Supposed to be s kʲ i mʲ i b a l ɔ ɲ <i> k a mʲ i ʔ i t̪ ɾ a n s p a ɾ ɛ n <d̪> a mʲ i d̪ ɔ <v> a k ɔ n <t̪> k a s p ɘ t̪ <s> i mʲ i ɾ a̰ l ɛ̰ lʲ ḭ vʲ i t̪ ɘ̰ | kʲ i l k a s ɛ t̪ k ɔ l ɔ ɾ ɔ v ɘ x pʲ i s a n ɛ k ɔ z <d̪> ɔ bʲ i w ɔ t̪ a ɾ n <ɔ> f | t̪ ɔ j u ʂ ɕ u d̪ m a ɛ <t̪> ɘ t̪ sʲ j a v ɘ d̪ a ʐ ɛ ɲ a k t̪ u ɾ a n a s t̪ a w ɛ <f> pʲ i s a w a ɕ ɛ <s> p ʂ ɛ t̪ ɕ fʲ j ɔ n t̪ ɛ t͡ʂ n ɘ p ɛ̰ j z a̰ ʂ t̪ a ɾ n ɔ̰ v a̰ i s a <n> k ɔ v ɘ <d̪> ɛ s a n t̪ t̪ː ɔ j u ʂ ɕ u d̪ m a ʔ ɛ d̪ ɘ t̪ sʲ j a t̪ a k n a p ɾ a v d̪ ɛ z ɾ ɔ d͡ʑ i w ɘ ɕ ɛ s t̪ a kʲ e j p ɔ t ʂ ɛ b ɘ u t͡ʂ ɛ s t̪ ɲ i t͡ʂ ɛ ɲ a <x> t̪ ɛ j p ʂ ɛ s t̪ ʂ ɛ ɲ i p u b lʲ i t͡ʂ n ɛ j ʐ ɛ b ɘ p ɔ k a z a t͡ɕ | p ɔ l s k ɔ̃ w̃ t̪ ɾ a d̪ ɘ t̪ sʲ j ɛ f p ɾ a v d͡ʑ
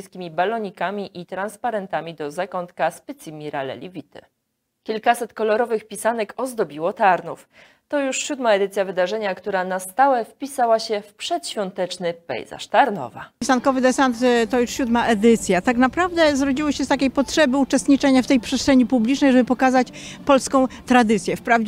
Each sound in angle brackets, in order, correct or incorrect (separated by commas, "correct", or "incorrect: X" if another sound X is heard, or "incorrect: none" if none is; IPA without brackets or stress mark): correct, incorrect: t̪, incorrect: z, correct, correct, correct, incorrect: u, incorrect: d̪, correct, incorrect: f, correct, correct, incorrect: f